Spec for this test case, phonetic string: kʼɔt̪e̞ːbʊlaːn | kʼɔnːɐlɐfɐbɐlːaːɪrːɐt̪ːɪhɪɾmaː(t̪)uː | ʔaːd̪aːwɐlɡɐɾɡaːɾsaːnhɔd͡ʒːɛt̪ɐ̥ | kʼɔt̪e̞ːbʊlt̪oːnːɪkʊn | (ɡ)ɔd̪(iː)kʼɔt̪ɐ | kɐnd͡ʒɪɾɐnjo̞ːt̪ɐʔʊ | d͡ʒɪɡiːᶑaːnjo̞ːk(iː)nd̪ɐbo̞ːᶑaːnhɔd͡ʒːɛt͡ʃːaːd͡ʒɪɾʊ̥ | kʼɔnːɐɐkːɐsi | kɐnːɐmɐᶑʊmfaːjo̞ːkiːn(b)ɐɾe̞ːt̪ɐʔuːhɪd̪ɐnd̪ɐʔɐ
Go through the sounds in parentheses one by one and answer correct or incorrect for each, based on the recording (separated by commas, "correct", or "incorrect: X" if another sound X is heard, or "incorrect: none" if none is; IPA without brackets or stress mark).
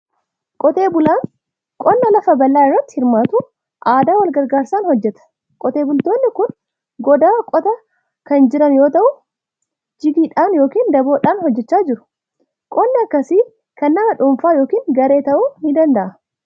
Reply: correct, correct, incorrect: aː, correct, incorrect: ɡ